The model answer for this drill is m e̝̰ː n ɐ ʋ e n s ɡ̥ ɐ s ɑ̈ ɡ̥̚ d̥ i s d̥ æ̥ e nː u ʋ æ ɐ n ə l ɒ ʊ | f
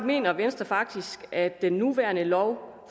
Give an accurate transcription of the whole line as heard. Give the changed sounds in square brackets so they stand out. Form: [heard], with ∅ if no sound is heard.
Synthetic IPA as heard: m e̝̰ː n ɐ ʋ e n s [d̥] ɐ [f] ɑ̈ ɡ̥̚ d̥ i s [ɡ̥] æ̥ e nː u ʋ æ ɐ n ə l ɒ ʊ | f